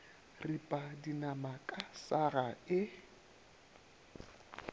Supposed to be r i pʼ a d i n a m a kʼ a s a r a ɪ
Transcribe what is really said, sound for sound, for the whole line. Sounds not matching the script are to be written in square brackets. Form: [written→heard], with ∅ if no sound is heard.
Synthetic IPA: r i pʼ a d i n a m a kʼ a s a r a ɪ